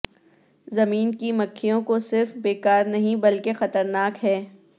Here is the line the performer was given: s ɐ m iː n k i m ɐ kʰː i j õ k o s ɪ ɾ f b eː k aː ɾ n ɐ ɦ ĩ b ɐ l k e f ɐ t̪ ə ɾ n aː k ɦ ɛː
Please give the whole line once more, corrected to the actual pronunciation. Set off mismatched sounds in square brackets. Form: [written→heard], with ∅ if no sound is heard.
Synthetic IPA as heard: [s→z] ɐ m iː n k i m ɐ kʰː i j õ k o s ɪ ɾ f b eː k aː ɾ n ɐ ɦ ĩ b ɐ l k e [f→x] ɐ t̪ ə ɾ n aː k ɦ ɛː